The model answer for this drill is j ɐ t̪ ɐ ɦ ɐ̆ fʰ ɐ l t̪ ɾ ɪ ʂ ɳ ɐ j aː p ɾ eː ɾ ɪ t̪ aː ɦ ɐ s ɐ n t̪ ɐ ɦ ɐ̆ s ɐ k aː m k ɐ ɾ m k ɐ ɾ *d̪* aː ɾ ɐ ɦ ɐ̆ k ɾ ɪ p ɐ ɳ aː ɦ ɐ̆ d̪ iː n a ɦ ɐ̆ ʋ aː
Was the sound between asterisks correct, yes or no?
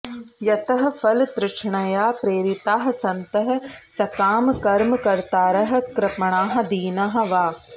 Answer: no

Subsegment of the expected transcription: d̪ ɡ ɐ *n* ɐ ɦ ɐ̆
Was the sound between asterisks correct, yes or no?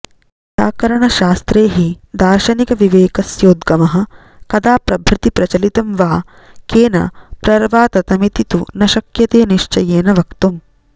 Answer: no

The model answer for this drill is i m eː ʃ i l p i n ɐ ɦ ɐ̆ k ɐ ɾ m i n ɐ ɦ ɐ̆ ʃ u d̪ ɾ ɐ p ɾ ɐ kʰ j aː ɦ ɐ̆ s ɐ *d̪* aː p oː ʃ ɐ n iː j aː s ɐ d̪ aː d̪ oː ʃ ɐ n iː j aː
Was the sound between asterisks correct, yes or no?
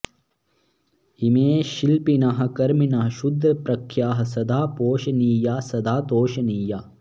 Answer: yes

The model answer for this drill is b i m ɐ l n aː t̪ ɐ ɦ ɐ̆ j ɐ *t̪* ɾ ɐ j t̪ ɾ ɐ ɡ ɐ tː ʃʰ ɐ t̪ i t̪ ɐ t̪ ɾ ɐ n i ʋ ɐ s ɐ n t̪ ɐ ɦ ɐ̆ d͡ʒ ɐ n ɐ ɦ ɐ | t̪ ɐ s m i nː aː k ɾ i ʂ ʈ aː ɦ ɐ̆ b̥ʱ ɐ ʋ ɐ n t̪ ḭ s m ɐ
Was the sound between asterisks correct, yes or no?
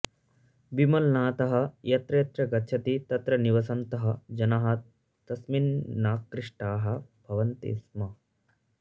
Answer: yes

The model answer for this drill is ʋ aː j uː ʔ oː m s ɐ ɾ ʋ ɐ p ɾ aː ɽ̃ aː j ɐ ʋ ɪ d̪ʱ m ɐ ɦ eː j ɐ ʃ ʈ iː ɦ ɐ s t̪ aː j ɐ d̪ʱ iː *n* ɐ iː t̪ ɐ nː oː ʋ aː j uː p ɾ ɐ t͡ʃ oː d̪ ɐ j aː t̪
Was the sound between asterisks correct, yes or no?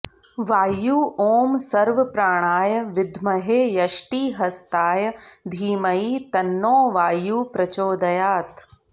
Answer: no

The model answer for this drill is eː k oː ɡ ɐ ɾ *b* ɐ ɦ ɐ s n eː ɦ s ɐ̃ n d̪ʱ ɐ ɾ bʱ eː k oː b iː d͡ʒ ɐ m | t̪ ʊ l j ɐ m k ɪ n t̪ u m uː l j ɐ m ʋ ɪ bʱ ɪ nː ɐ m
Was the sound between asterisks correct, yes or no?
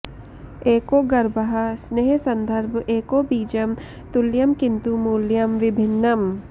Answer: yes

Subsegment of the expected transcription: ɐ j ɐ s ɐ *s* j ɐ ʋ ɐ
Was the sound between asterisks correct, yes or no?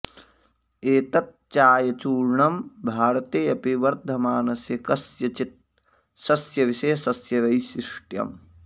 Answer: yes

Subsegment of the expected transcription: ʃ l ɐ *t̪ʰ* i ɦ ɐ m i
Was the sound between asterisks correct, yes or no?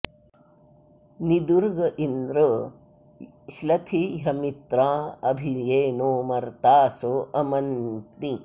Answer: yes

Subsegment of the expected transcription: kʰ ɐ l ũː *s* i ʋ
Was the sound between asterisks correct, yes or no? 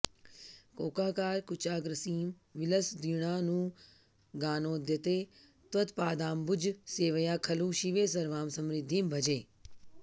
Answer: no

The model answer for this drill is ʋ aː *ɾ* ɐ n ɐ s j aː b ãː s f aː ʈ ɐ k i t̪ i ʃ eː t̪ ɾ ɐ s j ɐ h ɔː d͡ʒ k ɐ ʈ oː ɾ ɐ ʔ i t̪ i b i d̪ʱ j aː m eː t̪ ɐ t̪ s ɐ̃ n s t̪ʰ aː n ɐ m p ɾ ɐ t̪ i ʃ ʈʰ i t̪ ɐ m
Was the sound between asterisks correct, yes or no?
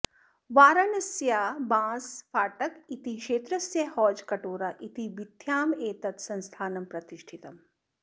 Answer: yes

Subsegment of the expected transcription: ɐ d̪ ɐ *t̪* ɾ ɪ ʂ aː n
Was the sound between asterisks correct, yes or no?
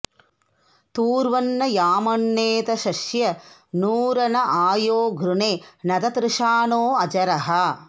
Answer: yes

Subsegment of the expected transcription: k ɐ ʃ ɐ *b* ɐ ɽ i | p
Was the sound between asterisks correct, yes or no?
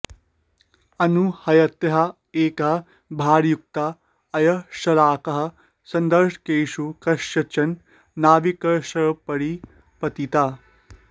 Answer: no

